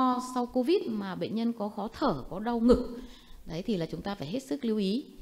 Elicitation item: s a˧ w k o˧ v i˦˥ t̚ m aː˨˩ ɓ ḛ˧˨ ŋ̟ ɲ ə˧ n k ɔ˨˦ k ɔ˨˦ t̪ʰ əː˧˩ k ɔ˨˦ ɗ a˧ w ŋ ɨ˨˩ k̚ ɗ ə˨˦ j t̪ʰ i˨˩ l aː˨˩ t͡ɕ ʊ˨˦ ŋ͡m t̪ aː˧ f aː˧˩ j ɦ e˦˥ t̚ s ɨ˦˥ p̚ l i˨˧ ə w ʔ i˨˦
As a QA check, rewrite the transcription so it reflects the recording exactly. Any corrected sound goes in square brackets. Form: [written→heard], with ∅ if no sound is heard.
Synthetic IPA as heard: s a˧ w k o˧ v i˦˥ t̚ m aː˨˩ ɓ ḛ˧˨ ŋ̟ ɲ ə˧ n k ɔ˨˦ [k→x] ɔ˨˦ t̪ʰ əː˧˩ k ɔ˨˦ ɗ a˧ w ŋ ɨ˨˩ k̚ ɗ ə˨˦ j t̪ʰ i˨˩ l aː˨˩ t͡ɕ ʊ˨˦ ŋ͡m t̪ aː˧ f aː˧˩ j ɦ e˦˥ t̚ s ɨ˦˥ [p̚→k̚] l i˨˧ ə w ʔ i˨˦